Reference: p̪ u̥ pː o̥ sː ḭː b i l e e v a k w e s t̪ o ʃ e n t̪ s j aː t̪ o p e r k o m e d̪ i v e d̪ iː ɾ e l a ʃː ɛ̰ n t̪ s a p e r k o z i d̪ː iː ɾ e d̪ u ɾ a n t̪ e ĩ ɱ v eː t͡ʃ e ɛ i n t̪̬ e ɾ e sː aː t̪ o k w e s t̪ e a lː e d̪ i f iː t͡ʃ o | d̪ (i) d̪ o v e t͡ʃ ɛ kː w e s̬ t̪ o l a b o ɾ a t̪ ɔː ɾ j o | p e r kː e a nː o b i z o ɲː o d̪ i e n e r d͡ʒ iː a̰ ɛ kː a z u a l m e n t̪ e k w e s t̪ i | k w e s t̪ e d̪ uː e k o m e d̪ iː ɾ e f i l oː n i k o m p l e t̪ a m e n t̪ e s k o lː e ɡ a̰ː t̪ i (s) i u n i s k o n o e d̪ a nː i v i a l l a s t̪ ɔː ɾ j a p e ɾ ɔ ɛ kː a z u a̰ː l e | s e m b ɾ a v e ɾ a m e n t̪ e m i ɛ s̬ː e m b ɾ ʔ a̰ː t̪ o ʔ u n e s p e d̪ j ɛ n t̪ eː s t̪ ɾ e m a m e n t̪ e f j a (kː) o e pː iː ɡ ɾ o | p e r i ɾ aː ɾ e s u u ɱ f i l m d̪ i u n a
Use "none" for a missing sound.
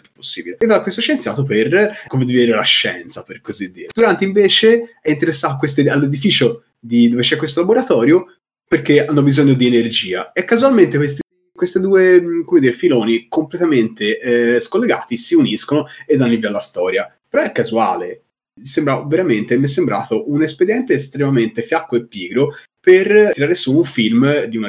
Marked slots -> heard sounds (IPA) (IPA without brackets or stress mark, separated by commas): i, s, kː